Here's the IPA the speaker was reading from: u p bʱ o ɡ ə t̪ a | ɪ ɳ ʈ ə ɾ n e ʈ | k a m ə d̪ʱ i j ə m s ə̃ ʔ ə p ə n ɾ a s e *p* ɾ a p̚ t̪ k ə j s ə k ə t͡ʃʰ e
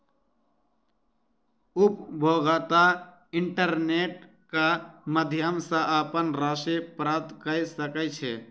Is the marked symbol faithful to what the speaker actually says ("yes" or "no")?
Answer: yes